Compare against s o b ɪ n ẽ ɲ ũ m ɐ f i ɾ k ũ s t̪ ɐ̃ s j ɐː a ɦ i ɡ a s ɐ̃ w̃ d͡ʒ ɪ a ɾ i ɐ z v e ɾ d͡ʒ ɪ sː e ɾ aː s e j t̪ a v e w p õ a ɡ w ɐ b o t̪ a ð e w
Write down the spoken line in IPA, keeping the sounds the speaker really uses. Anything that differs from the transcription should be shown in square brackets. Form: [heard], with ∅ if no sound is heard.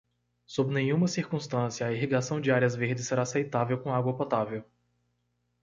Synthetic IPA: s o b ɪ n ẽ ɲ ũ m ɐ [s] i ɾ k ũ s t̪ ɐ̃ s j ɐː [i] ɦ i ɡ a s ɐ̃ w̃ d͡ʒ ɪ a ɾ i ɐ z v e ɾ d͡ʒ ɪ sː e ɾ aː s e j t̪ a v e w [k] õ a ɡ w ɐ [p] o t̪ a [v] e w